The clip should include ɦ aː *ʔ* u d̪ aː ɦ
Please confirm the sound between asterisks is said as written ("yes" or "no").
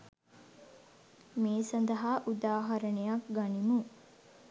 yes